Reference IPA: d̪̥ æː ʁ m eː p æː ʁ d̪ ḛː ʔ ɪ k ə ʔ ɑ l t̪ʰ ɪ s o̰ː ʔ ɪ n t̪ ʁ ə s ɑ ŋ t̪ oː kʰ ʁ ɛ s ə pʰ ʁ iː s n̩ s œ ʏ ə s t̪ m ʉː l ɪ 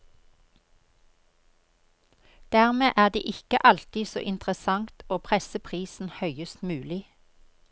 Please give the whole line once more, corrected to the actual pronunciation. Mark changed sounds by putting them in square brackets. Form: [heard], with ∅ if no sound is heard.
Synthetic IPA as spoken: d̪̥ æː ʁ m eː [ʔ] æː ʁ d̪ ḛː ʔ ɪ k ə ʔ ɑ l [t̪] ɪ s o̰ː ʔ ɪ n t̪ ʁ ə s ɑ ŋ t̪ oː [pʰ] ʁ ɛ s ə pʰ ʁ iː s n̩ [h] œ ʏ ə s t̪ m ʉː l ɪ